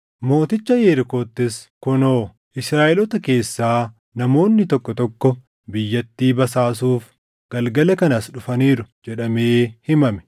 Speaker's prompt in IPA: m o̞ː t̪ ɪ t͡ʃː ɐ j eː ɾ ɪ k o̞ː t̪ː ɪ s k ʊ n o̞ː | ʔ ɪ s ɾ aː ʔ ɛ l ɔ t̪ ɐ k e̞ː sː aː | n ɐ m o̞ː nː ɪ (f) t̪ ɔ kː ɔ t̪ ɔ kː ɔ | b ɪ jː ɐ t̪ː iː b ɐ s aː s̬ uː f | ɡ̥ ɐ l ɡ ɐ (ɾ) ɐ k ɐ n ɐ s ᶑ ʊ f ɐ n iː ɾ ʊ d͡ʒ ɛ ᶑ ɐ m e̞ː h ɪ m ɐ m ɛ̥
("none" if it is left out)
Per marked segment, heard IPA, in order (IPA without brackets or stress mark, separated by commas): none, l